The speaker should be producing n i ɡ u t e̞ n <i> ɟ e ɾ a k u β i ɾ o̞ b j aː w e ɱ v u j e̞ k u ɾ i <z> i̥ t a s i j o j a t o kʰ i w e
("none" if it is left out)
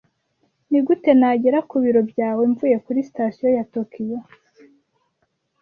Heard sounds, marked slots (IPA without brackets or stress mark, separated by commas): a, s